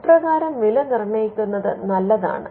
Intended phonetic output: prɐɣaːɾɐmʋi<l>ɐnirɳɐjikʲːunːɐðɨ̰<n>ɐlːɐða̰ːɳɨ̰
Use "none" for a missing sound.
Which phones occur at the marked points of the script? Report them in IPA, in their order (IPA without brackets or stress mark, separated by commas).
l, n